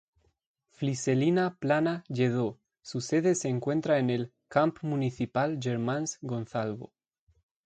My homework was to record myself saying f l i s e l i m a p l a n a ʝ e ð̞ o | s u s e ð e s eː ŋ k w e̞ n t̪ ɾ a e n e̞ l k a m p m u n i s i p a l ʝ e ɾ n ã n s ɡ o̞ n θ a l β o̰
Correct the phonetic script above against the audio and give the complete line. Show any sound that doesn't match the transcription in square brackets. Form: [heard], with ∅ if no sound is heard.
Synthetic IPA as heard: f l i s e l i [n] a p l a n a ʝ e ð̞ o | s u s e ð e s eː ŋ k w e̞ n t̪ ɾ a e n e̞ l k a m p m u n i [θ] i p a l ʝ e ɾ [m] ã n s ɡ o̞ n θ a l β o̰